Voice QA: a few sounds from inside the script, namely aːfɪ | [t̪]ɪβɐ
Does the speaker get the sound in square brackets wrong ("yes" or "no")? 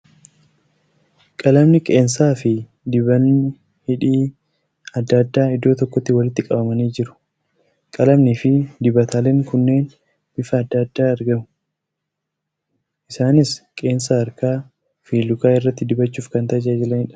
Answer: yes